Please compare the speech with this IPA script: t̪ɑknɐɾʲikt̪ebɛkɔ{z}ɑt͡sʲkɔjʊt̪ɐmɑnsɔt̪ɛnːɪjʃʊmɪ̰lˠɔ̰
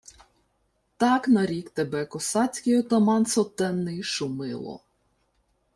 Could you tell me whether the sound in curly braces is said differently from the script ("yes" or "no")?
yes